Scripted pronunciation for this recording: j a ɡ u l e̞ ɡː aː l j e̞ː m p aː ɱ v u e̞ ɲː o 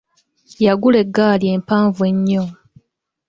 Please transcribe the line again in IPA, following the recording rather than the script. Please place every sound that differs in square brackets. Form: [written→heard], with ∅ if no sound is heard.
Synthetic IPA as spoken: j a ɡ u l e̞ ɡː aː l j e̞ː m p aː ɱ v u e̞ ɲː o